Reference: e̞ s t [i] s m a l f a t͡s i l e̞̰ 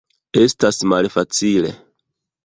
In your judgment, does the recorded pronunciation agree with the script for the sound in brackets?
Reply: no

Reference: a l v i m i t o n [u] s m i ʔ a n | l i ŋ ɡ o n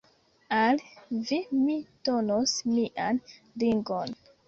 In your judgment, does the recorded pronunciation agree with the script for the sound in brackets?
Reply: no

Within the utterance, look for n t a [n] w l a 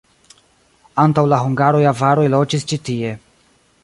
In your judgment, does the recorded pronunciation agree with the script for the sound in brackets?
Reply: no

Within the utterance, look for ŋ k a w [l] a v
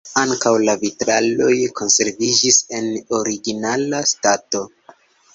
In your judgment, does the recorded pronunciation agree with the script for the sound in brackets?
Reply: yes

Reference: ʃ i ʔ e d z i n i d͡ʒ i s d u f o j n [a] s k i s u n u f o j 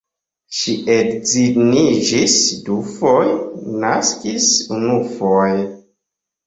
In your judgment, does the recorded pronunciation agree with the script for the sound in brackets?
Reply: yes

